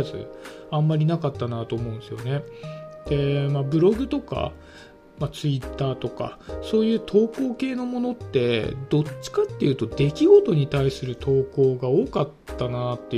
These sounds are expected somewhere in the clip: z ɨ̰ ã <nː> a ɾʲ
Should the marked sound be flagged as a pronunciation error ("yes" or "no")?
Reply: yes